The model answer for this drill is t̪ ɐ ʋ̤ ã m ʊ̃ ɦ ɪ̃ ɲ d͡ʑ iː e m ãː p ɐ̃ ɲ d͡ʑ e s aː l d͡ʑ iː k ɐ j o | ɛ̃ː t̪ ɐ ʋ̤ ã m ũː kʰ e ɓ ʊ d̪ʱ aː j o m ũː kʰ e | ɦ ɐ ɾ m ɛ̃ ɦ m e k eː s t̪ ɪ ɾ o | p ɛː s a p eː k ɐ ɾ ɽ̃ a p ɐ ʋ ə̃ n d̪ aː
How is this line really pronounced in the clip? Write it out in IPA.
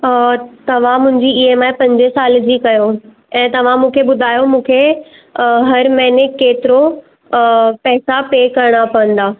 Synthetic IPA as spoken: t̪ ɐ ʋ̤ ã m ʊ̃ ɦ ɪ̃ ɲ d͡ʑ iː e m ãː p ɐ̃ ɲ d͡ʑ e s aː l d͡ʑ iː k ɐ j o | ɛ̃ː t̪ ɐ ʋ̤ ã m ũː kʰ e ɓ ʊ d̪ʱ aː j o m ũː kʰ e | ɦ ɐ ɾ m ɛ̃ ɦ n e k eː t̪ ɪ ɾ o | p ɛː s a p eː k ɐ ɾ ɽ̃ a p ɐ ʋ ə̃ n d̪ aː